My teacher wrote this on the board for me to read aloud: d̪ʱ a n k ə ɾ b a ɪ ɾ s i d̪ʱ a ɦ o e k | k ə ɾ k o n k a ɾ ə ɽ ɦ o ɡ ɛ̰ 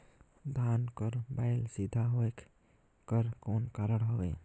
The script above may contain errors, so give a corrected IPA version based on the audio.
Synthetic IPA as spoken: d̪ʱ a n k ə ɾ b a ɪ l s i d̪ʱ a ɦ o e k | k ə ɾ k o n k a ɾ ə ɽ ɦ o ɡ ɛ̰